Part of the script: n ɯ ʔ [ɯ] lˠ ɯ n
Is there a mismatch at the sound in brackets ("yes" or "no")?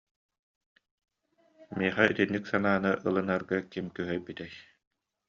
no